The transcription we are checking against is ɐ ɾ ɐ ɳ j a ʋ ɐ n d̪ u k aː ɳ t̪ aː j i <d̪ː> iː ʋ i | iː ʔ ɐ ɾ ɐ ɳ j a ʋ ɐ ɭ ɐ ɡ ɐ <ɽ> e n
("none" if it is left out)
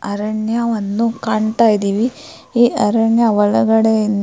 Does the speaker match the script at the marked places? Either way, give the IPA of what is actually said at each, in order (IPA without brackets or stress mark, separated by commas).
d̪, ɽ